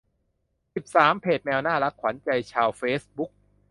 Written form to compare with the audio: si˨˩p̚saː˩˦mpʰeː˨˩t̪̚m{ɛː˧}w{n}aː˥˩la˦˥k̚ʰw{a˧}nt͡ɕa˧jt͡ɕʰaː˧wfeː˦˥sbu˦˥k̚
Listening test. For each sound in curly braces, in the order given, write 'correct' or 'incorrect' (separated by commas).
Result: correct, correct, incorrect